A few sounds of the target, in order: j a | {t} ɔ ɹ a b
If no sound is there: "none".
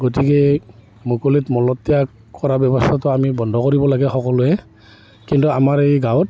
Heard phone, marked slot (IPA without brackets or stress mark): k